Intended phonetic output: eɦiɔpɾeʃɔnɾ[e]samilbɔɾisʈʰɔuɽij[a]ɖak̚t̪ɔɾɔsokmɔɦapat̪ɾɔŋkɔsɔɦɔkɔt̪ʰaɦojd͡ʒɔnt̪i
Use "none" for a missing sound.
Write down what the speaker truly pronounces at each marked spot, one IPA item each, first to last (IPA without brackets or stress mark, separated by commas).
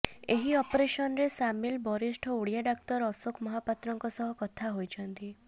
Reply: e, a